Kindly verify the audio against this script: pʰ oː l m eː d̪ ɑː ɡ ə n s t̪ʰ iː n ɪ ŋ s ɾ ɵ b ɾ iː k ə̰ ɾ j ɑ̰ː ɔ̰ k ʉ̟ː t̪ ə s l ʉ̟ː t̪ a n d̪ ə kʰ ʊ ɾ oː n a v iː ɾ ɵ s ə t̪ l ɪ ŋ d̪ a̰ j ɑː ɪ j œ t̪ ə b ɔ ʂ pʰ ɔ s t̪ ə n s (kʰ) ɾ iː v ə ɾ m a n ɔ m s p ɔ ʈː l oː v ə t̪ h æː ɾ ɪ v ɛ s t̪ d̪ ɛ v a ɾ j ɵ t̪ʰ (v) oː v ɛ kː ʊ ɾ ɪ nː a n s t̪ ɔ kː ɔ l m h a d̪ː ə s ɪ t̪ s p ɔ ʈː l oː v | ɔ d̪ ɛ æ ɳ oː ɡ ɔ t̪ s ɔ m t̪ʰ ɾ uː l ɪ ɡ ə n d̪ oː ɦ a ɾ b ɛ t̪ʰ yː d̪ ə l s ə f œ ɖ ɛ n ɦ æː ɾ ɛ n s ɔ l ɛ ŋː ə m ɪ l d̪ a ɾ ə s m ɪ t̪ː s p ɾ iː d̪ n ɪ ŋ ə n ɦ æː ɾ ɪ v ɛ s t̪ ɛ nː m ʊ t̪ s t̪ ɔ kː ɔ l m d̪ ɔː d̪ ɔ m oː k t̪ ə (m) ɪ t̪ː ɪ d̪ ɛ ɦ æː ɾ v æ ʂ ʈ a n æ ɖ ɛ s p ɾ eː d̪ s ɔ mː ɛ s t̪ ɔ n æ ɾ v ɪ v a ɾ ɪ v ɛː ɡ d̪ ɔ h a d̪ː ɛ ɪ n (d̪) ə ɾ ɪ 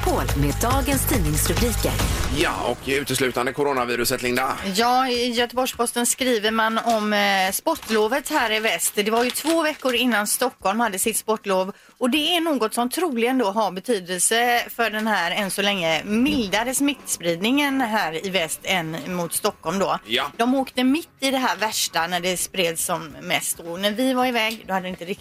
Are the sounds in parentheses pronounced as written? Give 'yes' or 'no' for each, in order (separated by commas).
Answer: no, yes, yes, no